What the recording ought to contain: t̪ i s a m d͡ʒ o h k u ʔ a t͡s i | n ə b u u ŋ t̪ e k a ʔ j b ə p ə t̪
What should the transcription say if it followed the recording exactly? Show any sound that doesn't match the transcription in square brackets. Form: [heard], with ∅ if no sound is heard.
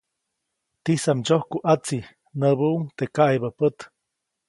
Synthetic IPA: t̪ i s a m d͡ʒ o h k u ʔ a t͡s i | n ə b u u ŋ t̪ e k a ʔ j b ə p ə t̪